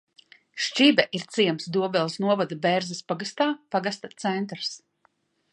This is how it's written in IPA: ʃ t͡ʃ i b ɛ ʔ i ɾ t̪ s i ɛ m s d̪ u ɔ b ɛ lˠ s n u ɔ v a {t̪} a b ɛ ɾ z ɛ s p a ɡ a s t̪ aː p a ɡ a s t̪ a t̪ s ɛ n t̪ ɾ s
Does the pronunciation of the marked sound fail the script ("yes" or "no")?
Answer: yes